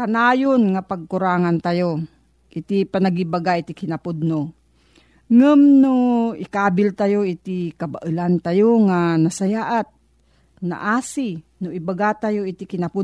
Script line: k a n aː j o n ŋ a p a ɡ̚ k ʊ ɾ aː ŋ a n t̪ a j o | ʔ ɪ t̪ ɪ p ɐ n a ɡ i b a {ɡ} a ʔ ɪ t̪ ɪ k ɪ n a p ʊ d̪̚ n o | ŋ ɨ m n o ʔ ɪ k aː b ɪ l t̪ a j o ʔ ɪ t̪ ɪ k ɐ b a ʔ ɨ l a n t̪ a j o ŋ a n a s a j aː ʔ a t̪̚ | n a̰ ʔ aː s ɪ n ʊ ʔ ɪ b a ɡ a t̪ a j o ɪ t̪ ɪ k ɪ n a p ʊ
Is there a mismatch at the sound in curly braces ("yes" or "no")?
no